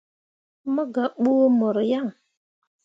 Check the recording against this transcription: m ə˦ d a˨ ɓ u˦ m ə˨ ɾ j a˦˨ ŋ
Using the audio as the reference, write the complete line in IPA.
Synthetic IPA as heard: m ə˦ ɡ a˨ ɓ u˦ m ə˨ ɾ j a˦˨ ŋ